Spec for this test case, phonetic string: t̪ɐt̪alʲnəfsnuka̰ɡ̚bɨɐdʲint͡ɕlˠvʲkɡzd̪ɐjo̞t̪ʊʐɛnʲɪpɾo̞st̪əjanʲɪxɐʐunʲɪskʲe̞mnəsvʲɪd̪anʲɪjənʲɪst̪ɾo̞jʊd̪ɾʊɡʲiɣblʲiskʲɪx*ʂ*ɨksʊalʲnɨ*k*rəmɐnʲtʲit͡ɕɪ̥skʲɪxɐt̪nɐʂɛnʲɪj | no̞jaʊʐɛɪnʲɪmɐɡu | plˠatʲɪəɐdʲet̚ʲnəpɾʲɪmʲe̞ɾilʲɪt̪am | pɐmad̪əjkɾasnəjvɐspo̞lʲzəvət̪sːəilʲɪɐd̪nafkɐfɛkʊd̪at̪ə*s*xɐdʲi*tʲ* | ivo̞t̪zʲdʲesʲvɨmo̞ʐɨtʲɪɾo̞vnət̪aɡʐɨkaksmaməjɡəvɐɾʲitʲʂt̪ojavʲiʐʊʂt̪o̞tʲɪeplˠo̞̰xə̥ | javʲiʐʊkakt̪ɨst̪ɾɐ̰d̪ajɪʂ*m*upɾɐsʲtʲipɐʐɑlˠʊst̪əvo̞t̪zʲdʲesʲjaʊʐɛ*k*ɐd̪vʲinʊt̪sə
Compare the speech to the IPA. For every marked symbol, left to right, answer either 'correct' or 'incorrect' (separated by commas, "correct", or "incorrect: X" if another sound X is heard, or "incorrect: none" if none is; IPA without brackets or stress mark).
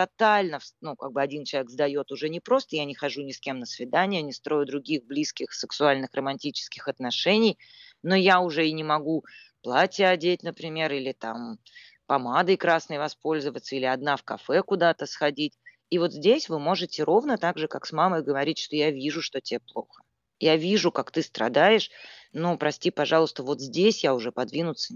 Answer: incorrect: s, incorrect: x, correct, correct, incorrect: n, incorrect: p